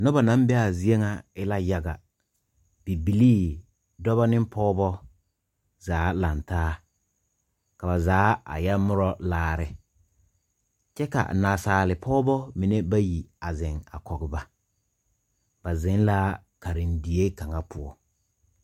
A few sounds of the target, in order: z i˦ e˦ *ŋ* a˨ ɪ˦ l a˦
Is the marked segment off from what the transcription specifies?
no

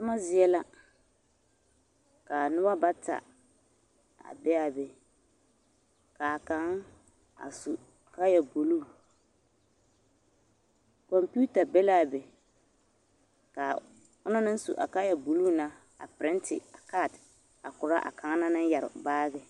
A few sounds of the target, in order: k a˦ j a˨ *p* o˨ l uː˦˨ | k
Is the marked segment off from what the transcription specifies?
yes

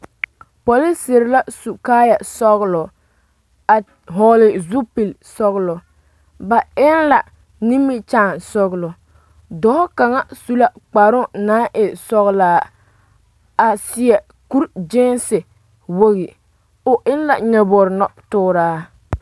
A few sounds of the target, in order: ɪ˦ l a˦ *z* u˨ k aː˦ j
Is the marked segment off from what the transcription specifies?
yes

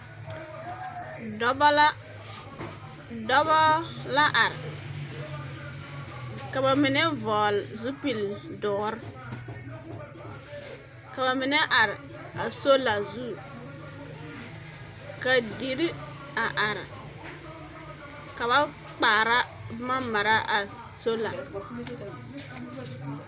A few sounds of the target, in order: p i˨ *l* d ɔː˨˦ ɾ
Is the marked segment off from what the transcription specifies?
no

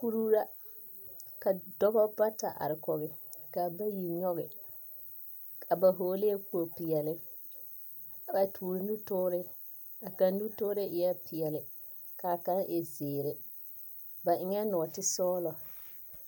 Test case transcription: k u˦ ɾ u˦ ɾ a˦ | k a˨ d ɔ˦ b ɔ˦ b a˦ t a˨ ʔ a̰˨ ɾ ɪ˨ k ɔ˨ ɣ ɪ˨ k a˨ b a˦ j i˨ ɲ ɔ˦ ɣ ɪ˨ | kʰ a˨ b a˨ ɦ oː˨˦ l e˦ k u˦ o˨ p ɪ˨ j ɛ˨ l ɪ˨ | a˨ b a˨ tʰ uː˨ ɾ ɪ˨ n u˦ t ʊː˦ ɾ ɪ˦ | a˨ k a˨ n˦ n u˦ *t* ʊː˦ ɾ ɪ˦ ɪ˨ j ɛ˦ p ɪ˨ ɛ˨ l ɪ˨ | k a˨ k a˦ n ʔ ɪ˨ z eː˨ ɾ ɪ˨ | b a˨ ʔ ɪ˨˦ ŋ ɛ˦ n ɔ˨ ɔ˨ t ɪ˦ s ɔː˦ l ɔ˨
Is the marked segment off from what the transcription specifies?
no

